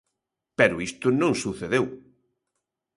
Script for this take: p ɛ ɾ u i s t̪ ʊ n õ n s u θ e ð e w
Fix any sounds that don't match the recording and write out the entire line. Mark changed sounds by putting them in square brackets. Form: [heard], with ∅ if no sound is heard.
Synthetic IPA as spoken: p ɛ ɾ [ʊ] i s t̪ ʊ n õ [ŋ] s u θ e ð e w